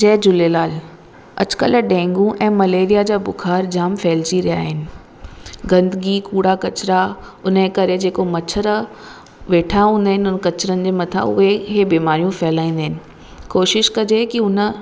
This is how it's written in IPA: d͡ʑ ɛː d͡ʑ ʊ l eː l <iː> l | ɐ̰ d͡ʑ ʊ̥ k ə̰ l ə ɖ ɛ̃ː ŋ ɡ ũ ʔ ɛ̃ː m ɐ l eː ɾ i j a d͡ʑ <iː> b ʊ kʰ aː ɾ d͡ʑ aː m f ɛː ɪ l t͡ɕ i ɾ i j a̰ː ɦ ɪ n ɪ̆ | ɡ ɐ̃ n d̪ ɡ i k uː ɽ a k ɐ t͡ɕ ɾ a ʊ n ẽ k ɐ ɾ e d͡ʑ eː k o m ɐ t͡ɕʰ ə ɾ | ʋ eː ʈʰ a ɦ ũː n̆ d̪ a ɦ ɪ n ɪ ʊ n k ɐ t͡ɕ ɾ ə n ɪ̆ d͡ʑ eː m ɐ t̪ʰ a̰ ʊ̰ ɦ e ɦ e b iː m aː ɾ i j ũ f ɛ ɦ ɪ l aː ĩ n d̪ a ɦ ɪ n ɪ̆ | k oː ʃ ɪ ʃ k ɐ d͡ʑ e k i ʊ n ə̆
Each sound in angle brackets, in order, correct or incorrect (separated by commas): incorrect, incorrect